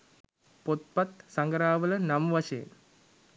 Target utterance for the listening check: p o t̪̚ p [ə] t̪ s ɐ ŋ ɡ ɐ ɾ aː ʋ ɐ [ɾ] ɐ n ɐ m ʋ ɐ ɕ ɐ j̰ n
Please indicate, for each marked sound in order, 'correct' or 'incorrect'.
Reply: incorrect, incorrect

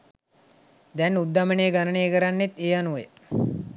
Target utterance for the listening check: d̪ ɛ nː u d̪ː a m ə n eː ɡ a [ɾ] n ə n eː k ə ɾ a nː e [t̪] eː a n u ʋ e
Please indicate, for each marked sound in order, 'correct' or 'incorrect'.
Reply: incorrect, correct

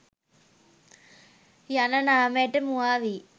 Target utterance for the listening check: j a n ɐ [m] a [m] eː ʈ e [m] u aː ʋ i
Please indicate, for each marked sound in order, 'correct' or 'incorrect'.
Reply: incorrect, correct, correct

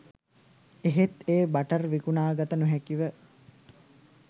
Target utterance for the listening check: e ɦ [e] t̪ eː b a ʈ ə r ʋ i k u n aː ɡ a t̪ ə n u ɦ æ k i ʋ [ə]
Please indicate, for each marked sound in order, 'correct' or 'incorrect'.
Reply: correct, correct

